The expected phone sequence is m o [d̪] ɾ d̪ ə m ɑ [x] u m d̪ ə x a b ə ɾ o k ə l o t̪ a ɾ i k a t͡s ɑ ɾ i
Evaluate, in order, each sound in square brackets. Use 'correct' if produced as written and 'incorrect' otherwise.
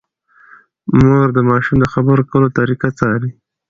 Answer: incorrect, incorrect

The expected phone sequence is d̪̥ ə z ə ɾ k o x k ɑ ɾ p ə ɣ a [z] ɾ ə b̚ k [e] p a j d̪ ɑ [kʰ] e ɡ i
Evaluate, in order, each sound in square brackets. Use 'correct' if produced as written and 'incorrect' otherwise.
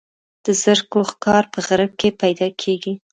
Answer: incorrect, correct, correct

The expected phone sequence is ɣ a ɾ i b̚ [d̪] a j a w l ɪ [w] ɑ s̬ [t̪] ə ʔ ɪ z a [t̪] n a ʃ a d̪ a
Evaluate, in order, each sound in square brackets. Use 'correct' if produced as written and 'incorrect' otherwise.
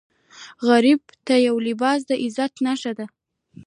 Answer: incorrect, incorrect, incorrect, correct

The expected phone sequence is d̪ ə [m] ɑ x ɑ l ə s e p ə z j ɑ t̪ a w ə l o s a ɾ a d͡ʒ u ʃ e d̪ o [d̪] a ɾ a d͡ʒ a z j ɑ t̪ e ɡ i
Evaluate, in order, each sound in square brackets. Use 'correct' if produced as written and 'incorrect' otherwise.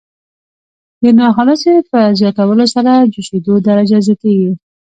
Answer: incorrect, correct

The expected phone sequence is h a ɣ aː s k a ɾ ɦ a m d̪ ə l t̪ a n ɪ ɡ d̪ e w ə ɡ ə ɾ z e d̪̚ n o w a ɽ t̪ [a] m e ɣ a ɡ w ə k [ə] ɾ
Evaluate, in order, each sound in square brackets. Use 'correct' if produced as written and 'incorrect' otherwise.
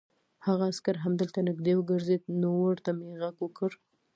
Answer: correct, correct

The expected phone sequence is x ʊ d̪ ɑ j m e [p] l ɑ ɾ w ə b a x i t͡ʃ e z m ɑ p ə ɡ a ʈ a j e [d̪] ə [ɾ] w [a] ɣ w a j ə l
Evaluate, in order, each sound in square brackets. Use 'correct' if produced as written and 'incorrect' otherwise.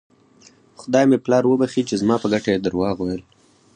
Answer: correct, correct, correct, incorrect

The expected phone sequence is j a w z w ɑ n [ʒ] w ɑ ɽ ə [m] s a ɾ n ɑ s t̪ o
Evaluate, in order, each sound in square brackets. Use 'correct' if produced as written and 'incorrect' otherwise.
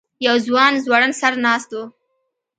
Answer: incorrect, incorrect

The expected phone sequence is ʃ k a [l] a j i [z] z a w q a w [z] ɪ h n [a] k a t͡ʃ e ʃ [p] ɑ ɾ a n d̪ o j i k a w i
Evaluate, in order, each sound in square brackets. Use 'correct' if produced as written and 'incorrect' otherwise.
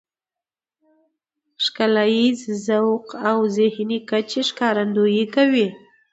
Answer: correct, correct, correct, incorrect, incorrect

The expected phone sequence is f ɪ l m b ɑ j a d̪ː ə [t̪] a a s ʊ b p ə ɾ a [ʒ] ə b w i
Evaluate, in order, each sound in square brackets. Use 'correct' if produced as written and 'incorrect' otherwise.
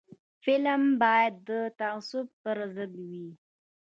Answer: correct, incorrect

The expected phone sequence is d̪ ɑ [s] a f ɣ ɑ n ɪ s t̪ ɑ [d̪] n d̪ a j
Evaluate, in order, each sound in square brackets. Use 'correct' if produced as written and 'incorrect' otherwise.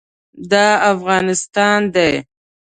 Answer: incorrect, incorrect

